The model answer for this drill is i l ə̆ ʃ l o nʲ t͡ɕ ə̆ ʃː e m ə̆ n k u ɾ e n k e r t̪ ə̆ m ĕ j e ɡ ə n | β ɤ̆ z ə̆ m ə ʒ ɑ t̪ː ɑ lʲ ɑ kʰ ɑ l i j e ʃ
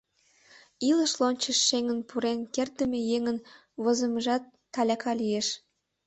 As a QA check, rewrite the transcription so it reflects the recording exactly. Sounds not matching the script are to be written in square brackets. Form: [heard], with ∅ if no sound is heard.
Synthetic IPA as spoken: i l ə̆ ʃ l o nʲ t͡ɕ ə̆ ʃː e [ŋ] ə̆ n [p] u ɾ e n k e r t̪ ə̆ m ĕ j e [ŋ] ə n | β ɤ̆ z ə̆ m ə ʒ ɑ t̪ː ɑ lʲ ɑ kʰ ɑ l i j e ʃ